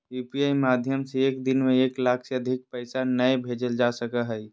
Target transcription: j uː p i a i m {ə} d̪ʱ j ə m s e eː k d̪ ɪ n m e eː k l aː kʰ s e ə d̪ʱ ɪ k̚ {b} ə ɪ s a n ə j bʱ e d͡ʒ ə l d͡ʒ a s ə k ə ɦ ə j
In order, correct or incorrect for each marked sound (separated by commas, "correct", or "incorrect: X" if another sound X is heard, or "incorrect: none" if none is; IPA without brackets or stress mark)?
incorrect: a, incorrect: p